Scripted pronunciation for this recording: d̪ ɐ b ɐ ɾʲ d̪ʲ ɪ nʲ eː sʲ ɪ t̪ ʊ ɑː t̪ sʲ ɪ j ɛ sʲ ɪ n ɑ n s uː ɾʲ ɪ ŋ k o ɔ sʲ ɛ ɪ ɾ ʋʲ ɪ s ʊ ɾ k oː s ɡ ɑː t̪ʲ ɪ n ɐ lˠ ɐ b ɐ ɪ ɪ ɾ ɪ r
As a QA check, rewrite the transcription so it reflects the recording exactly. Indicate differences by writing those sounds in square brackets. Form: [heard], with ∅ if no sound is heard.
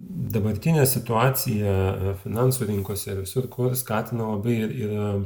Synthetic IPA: d̪ ɐ b ɐ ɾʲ [t̪ʲ] ɪ nʲ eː sʲ ɪ t̪ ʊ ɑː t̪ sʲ ɪ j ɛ [fʲ] ɪ n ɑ n s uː ɾʲ ɪ ŋ k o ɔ sʲ ɛ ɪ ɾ ʋʲ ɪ s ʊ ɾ k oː s [k] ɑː t̪ʲ ɪ n ɐ lˠ ɐ b ɐ ɪ ɪ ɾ ɪ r